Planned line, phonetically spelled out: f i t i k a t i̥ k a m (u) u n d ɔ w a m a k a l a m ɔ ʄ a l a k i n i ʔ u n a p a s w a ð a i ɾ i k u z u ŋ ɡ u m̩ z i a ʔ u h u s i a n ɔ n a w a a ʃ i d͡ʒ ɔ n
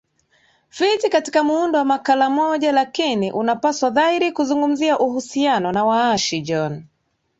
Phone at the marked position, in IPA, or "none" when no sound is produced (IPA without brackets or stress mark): u